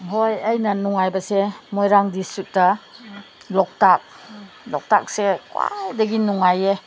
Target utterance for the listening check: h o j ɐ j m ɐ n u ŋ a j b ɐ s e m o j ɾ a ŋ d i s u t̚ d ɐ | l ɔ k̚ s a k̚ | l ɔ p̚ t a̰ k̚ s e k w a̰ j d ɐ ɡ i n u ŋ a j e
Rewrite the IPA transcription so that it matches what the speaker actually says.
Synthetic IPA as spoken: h o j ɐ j n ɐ n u ŋ a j b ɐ s e m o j ɾ a ŋ d i s u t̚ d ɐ | l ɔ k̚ t a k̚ | l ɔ k̚ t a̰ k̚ s e k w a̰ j d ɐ ɡ i n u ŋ a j e